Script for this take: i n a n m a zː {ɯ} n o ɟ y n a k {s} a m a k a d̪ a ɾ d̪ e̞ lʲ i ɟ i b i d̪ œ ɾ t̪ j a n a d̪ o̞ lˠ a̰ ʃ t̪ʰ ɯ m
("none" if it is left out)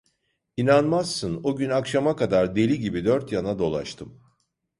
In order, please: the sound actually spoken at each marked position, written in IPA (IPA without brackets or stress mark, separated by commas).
ɯ, ʃ